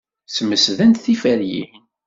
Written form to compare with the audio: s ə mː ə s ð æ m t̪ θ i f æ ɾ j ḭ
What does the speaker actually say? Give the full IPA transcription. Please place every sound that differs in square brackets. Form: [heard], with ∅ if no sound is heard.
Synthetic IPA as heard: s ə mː ə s ð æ [n] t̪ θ i f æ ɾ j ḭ